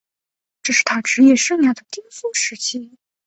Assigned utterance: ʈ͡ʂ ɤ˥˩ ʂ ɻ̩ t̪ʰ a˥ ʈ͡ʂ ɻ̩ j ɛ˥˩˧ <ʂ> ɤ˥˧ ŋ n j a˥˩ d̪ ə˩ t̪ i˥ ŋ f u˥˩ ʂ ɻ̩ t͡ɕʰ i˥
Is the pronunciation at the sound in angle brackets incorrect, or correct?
correct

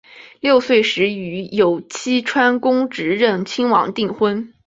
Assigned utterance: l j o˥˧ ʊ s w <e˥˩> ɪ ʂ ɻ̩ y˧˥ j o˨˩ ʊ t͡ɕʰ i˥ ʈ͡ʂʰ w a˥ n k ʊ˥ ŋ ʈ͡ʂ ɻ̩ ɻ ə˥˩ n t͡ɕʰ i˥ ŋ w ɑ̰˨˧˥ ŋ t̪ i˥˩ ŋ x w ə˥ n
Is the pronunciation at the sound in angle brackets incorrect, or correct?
correct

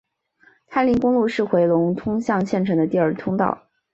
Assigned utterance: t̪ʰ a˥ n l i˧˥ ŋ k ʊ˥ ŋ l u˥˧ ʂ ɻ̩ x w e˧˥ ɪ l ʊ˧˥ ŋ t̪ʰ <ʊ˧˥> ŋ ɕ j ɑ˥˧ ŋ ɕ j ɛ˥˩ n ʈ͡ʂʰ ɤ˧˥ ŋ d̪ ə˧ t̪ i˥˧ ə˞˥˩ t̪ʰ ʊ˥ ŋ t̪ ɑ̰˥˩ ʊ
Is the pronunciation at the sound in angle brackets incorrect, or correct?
incorrect: ʊ˥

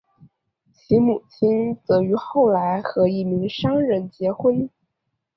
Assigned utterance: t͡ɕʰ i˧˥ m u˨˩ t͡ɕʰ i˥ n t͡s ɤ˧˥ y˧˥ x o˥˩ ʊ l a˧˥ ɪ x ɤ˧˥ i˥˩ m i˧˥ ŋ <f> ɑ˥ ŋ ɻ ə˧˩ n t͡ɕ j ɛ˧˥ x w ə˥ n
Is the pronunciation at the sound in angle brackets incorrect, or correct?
incorrect: ʂ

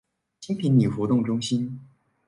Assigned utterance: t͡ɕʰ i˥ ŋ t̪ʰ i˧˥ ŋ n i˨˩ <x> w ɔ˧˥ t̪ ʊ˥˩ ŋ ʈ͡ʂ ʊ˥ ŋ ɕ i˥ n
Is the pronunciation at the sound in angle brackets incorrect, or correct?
correct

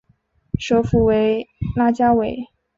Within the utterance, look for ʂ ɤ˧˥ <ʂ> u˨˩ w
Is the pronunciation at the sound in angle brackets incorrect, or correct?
incorrect: f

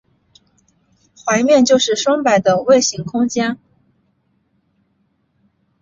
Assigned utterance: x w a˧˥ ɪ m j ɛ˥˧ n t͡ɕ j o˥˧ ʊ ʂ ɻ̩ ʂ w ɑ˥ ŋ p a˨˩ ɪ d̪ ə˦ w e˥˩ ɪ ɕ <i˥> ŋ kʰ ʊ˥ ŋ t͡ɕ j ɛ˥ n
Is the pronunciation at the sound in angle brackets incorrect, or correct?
incorrect: i˧˥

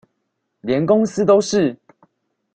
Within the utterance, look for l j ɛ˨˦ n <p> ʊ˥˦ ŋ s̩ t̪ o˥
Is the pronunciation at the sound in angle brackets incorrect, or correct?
incorrect: k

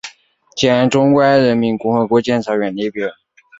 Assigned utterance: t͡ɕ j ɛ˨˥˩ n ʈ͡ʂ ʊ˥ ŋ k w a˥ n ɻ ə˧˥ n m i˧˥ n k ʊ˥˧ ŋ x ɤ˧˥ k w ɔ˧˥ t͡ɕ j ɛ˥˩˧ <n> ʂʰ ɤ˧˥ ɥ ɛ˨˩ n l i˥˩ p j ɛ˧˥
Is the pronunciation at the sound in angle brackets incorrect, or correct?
correct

